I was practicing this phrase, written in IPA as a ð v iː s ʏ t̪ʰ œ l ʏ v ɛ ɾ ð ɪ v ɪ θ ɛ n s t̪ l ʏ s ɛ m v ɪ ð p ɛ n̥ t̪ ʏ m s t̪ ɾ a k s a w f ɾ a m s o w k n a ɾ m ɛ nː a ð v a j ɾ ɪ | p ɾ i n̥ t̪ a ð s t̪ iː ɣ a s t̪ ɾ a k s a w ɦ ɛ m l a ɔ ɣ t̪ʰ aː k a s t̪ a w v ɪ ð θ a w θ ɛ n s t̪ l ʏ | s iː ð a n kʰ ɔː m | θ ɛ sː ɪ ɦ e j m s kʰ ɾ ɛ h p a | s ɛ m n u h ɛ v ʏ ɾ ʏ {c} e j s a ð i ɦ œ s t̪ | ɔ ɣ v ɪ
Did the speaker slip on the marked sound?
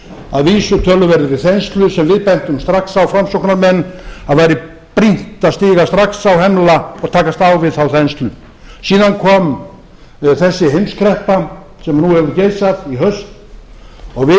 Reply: no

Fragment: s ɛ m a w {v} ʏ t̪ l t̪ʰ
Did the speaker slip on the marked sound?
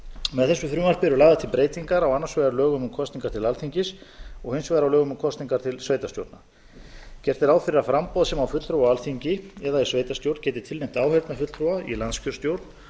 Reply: yes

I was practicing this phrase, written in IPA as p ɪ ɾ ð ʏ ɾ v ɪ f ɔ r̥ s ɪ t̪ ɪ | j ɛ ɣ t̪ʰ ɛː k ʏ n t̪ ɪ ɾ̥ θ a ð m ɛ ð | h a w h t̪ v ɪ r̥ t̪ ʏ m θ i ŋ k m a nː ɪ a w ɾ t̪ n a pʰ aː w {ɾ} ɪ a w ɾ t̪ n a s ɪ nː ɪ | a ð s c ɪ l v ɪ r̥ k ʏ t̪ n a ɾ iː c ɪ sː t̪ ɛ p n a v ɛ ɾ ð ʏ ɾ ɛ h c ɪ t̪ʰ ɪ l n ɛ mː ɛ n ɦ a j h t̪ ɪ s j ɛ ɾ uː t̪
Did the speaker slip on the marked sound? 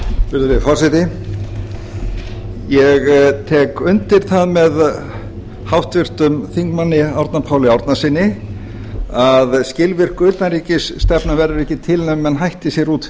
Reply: yes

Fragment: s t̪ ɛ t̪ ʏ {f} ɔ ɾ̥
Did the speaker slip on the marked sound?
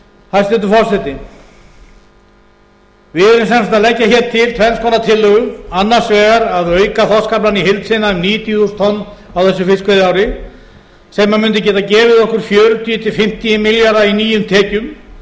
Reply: no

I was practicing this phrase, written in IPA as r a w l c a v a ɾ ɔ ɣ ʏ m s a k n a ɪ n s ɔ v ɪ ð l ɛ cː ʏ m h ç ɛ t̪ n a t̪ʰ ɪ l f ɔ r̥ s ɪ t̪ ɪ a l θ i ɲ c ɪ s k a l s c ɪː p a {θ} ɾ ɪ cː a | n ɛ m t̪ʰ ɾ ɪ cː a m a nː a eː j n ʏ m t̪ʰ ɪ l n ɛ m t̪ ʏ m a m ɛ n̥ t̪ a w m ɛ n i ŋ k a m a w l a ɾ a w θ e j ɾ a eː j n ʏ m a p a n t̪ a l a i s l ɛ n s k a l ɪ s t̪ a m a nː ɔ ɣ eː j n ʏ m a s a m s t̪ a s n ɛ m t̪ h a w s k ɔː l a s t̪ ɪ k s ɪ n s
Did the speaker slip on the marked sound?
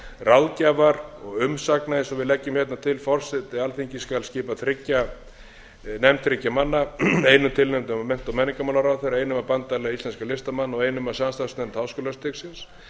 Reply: no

